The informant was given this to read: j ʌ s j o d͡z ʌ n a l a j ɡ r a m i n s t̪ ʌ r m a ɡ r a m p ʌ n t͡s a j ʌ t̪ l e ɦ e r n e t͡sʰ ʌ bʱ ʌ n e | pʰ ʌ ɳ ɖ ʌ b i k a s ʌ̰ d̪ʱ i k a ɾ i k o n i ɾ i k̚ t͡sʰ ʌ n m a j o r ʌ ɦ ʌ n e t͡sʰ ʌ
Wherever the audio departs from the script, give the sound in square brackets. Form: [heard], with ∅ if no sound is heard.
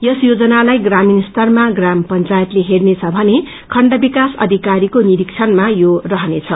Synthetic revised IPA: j ʌ s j o d͡z ʌ n a l a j ɡ r a m i n s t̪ ʌ r m a ɡ r a m p ʌ n t͡s a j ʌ t̪ l e ɦ e r n e t͡sʰ ʌ bʱ ʌ n e | [kʰ] ʌ ɳ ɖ ʌ b i k a s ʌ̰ d̪ʱ i k a ɾ i k o n i ɾ i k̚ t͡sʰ ʌ n m a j o r ʌ ɦ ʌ n e t͡sʰ ʌ